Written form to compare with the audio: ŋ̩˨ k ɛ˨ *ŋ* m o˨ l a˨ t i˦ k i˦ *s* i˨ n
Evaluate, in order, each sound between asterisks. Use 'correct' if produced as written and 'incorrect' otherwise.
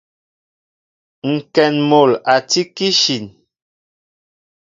incorrect: n, incorrect: ʃ

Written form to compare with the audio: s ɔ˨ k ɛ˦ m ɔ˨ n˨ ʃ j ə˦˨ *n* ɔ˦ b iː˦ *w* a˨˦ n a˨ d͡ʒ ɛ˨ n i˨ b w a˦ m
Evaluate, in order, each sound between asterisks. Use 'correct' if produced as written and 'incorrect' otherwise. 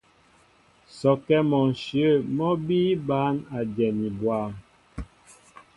incorrect: m, incorrect: b

